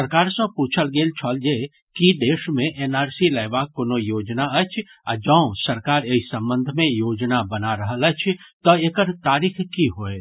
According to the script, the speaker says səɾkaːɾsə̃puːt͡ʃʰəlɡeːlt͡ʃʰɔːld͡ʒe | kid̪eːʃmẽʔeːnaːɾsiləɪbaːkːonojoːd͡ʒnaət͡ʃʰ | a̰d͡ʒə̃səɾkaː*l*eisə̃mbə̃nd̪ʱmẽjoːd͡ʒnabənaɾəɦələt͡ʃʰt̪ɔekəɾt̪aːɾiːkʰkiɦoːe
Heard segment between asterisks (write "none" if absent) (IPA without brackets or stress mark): ɾ